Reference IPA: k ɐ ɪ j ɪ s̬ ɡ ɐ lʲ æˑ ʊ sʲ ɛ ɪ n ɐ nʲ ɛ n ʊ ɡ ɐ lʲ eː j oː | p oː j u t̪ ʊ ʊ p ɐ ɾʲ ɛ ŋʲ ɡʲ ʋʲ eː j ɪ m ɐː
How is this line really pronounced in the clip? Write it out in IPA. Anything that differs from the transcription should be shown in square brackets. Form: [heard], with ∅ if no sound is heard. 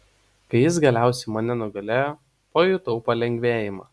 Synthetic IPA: k ɐ ɪ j ɪ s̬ ɡ ɐ lʲ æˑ ʊ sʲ ɛ ɪ [m] ɐ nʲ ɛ n ʊ ɡ ɐ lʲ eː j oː | p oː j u t̪ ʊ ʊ p ɐ [lʲ] ɛ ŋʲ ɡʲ ʋʲ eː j ɪ m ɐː